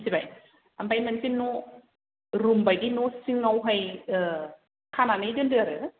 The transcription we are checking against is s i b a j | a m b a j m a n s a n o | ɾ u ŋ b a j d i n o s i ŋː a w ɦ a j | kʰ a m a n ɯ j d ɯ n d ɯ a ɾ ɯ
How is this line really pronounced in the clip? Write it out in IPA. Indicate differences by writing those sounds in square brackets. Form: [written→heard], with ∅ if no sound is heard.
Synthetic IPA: s i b a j | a m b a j m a n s [a→i] n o | ɾ u [ŋ→m] b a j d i n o s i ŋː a w ɦ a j | kʰ a [m→n] a n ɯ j d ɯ n d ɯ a ɾ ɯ

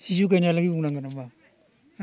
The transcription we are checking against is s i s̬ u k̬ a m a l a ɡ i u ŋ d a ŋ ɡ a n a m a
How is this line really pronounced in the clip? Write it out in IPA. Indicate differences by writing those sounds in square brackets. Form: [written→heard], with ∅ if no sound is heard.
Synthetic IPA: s i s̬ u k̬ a [m→n] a l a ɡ i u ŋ [d→n] a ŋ ɡ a n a m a

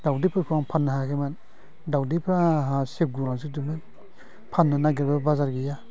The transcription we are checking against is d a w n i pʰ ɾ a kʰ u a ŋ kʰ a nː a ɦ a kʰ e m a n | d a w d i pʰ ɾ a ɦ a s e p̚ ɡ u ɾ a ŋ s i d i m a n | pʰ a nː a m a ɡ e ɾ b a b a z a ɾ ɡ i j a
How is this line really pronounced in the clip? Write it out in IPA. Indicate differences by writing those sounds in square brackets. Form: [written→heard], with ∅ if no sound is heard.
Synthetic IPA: d a w [n→d] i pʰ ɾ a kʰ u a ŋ [kʰ→pʰ] a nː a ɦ a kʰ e m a n | d a w d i pʰ ɾ a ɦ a s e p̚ ɡ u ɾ a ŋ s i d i m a n | pʰ a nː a [m→n] a ɡ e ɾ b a b a z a ɾ ɡ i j a

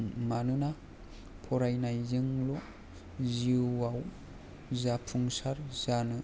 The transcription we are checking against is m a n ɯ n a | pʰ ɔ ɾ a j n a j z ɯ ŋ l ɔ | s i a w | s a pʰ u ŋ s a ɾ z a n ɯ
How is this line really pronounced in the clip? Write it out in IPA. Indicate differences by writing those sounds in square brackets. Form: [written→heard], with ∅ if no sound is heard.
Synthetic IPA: m a n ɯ n a | pʰ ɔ ɾ a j n a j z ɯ ŋ l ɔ | [s→z] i a w | [s→z] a pʰ u ŋ s a ɾ z a n ɯ

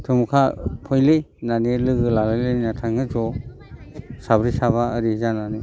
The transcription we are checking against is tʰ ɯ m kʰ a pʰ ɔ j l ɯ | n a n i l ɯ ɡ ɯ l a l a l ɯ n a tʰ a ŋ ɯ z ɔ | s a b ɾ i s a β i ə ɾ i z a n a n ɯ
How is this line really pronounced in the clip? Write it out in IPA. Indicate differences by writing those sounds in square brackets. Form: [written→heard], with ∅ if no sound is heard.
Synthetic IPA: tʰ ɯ m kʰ a pʰ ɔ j l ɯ | n a n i l ɯ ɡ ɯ l a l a l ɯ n a tʰ a ŋ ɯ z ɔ | s a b ɾ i s a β [i→a] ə ɾ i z a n a n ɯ

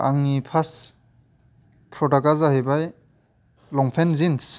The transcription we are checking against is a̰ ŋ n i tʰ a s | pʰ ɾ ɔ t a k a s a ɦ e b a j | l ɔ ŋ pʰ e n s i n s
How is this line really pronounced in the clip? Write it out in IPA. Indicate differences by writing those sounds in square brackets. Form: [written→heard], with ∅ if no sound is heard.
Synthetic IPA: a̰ ŋ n i [tʰ→pʰ] a s | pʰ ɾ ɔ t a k a [s→z] a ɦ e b a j | l ɔ ŋ pʰ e n [s→z] i n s

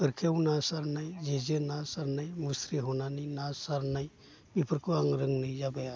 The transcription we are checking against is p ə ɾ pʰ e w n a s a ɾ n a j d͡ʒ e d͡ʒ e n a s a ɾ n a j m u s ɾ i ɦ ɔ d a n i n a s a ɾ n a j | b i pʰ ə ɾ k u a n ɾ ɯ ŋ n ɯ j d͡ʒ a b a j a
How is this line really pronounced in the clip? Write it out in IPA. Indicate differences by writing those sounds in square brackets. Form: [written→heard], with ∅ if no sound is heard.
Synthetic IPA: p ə ɾ [pʰ→kʰ] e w n a s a ɾ n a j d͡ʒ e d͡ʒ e n a s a ɾ n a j m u s ɾ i ɦ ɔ [d→n] a n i n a s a ɾ n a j | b i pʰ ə ɾ k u a [n→ŋ] ɾ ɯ ŋ n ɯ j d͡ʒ a b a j a

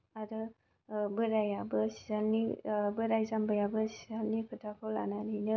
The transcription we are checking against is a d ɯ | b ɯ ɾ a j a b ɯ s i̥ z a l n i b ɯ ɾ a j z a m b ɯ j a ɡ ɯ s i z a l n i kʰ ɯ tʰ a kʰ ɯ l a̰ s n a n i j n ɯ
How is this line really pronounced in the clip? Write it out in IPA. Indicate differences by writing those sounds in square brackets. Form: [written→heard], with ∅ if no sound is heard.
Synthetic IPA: a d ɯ | b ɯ ɾ a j a b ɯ s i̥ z a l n i b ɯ ɾ a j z a m b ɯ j a [ɡ→b] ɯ s i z a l n i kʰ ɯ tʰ a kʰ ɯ l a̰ [s→∅] n a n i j n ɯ

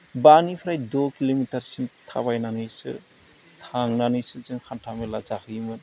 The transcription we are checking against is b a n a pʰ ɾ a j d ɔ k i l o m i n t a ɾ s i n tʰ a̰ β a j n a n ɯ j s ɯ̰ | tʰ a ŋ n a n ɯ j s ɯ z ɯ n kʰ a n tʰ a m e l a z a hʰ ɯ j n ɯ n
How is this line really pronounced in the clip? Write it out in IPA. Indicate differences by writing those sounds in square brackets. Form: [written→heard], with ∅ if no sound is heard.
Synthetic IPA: b a n [a→i] pʰ ɾ a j d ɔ k i l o m i [n→∅] t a ɾ s i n tʰ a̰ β a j n a n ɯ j s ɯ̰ | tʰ a ŋ n a n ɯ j s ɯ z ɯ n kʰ a n tʰ a m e l a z a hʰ ɯ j [n→m] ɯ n

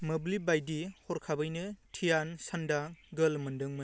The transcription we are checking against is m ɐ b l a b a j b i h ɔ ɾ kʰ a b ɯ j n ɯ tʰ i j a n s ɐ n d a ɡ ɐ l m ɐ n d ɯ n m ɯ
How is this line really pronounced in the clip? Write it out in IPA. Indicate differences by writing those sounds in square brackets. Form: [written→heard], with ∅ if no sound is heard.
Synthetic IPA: m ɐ b l [a→i] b a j [b→d] i h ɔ ɾ kʰ a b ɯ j n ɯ tʰ i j a n s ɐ n d a ɡ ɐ l m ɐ n d ɯ [n→ŋ] m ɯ

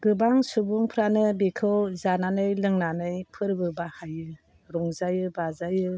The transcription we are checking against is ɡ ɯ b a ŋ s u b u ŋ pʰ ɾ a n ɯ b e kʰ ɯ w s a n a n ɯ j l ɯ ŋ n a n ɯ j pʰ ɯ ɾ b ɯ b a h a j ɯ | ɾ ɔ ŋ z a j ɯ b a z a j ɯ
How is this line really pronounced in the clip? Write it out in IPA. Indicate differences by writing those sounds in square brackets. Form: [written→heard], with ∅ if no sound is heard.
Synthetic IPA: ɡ ɯ b a ŋ s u b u ŋ pʰ ɾ a n ɯ b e kʰ ɯ w [s→z] a n a n ɯ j l ɯ ŋ n a n ɯ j pʰ ɯ ɾ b ɯ b a h a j ɯ | ɾ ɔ ŋ z a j ɯ b a z a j ɯ

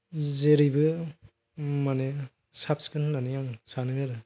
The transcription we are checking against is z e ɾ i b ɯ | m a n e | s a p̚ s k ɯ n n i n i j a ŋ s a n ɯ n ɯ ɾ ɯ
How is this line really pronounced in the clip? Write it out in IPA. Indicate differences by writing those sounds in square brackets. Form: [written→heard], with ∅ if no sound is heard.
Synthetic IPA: z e ɾ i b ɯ | m a n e | s a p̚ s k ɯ n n [i→a] n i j a ŋ s a n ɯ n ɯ ɾ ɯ

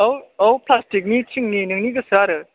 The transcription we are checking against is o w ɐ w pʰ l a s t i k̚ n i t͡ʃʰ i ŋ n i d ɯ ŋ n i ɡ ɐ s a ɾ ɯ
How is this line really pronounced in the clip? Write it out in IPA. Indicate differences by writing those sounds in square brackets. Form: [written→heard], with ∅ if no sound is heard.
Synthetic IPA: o w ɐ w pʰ l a s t i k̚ n i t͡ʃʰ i ŋ n i [d→n] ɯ ŋ n i ɡ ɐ s a ɾ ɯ

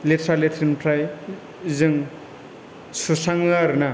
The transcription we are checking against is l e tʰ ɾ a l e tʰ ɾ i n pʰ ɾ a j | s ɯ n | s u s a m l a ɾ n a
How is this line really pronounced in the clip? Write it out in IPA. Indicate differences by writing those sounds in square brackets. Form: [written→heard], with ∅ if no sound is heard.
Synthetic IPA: l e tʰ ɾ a l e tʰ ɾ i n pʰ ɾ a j | [s→z] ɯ [n→ŋ] | s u s a [m→ŋ] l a ɾ n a

